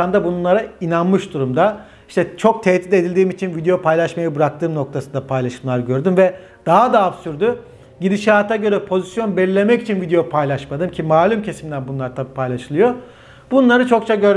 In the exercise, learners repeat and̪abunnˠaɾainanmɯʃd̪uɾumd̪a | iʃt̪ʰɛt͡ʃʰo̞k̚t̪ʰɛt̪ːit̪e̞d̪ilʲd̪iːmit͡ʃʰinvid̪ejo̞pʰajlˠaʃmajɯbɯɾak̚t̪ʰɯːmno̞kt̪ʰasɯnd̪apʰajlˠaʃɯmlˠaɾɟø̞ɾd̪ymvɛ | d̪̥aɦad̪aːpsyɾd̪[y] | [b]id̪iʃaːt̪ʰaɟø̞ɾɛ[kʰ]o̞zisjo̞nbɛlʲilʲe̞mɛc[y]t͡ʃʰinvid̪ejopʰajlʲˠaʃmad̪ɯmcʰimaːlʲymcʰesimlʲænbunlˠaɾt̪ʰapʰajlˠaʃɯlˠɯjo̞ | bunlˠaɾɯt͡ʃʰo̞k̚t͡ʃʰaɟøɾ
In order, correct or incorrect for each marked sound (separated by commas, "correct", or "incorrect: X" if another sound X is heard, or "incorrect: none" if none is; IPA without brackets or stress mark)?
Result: correct, incorrect: ɟ, incorrect: pʰ, incorrect: i